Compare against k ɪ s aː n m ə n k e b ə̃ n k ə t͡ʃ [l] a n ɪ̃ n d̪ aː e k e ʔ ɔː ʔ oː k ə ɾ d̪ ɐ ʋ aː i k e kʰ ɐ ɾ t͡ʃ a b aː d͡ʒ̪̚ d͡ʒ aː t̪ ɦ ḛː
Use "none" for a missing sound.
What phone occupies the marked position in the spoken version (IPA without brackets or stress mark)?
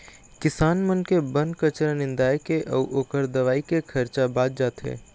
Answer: ɾ